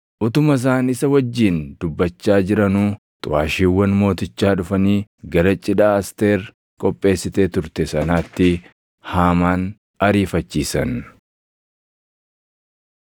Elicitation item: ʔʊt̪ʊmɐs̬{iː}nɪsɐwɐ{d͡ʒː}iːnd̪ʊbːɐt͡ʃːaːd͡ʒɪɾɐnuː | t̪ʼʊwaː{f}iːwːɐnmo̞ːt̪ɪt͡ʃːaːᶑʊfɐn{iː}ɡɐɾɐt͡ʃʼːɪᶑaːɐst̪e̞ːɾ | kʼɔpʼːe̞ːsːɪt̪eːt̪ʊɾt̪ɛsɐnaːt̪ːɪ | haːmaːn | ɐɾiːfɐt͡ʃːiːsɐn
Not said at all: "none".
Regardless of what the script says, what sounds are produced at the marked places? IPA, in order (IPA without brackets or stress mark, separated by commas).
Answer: aː, d͡ʒː, ʃ, iː